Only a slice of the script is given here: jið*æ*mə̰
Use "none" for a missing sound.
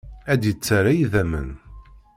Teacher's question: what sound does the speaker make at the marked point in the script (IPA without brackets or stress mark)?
æ